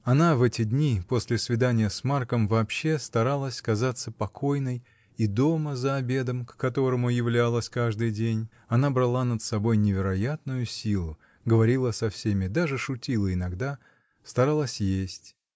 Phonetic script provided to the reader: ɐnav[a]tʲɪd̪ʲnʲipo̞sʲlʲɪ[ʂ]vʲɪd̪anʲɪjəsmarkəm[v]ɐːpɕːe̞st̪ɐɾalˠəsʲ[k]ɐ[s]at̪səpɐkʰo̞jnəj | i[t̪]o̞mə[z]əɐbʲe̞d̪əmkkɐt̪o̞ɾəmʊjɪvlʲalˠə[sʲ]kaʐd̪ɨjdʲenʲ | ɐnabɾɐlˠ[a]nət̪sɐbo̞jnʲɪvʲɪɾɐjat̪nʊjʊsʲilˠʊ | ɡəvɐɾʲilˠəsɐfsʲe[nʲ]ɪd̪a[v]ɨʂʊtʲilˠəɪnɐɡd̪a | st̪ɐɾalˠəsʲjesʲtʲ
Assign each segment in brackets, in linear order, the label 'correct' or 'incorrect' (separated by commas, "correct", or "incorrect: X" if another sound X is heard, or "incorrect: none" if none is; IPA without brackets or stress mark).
incorrect: ɛ, incorrect: s, correct, correct, incorrect: z, incorrect: d̪, correct, correct, correct, incorrect: mʲ, incorrect: ʐ